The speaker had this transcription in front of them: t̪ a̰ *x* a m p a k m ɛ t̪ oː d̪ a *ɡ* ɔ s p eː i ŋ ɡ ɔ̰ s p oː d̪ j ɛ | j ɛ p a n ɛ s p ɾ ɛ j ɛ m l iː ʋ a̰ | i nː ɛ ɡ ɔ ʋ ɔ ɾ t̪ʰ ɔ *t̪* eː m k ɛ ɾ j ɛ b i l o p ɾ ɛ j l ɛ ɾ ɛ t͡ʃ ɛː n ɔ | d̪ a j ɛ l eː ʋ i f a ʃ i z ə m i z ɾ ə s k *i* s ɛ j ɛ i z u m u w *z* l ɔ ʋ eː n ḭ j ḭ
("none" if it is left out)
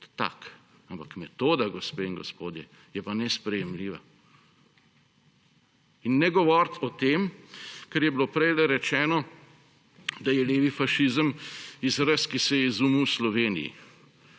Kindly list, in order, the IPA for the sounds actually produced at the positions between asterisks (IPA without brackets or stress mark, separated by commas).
k, ɡ, t̪, i, s